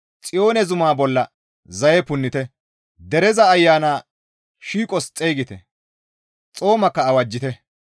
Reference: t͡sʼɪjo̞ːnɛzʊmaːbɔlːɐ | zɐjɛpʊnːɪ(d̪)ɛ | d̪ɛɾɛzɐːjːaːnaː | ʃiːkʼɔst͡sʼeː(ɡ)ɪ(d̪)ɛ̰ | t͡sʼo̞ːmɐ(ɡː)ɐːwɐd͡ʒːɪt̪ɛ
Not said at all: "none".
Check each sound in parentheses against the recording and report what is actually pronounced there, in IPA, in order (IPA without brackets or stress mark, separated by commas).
t̪, ɡ, t̪, kː